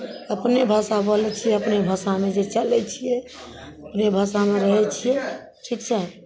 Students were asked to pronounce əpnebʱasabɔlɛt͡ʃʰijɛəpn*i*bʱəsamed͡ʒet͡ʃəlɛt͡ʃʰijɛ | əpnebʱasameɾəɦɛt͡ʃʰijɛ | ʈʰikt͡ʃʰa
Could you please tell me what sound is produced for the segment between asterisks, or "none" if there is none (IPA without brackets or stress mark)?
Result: e